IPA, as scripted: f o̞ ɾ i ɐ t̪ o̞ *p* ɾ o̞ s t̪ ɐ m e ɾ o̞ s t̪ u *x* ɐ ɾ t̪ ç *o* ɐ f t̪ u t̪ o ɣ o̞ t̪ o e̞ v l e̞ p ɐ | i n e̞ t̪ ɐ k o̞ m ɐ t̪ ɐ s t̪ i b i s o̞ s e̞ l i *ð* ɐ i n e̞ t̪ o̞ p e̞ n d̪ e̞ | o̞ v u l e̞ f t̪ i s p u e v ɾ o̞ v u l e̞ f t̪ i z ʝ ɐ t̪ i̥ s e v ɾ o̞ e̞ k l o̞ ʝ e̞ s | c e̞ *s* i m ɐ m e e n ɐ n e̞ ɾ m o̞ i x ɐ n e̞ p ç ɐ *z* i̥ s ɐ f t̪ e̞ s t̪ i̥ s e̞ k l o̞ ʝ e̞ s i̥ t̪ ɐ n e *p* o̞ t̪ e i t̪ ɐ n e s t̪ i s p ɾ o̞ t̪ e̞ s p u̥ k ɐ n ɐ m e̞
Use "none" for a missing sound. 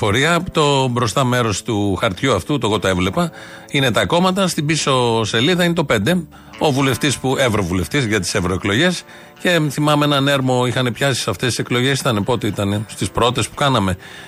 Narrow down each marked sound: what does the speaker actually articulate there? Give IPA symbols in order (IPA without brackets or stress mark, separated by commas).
b, x, u, ð, θ, s, p